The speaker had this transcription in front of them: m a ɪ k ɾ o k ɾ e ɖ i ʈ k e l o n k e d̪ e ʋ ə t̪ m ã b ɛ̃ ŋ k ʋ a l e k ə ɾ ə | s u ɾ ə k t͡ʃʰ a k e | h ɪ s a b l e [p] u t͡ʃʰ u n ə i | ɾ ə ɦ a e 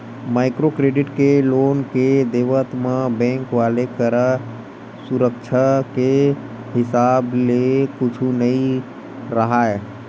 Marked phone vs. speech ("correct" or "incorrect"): incorrect